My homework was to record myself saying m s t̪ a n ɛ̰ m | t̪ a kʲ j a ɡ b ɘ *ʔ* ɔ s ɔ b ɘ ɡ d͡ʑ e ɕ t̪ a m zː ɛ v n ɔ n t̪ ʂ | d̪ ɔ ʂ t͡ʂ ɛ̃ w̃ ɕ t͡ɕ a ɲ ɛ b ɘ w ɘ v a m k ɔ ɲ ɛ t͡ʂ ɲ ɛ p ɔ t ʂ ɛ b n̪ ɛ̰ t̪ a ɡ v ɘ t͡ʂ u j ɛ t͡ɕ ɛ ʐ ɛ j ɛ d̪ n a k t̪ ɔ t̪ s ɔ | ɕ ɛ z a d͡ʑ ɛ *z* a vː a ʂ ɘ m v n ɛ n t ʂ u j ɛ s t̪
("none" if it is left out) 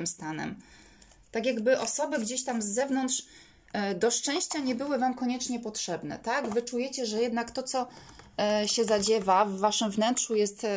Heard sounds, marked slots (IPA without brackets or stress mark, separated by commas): ʔ, v